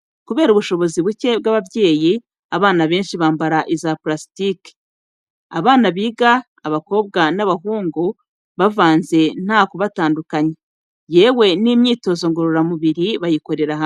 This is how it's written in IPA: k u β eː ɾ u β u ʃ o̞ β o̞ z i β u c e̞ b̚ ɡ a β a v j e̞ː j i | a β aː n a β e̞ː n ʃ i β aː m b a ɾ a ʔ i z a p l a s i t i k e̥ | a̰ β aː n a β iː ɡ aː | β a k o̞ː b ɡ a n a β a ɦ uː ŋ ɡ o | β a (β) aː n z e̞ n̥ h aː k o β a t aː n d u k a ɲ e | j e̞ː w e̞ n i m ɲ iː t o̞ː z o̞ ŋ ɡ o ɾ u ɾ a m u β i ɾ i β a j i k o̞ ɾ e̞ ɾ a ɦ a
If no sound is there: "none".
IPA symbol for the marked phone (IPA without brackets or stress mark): v